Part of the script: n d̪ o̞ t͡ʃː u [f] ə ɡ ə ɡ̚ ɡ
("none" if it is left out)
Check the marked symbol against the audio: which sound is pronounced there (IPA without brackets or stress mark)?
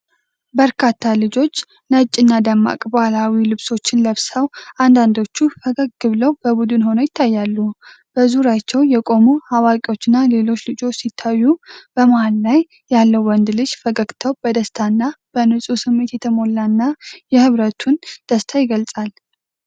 f